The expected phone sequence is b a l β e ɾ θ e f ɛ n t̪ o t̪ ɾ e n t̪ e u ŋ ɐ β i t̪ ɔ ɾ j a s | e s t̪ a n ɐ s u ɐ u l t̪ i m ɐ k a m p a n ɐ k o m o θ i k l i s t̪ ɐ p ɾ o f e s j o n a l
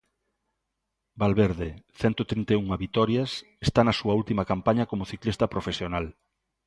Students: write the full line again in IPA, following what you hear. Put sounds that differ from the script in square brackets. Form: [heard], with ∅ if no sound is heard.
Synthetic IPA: b a l β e ɾ [ð] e [θ] ɛ n t̪ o t̪ ɾ [i] n t̪ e u ŋ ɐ β i t̪ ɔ ɾ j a s | e s t̪ a n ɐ s u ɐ u l t̪ i m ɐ k a m p a [ɲ] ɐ k o m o θ i k l i s t̪ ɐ p ɾ o f e s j o n a l